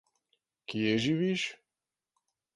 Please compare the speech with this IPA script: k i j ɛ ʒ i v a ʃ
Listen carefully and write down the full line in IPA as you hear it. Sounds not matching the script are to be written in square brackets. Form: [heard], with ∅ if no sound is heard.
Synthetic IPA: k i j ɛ ʒ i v [i] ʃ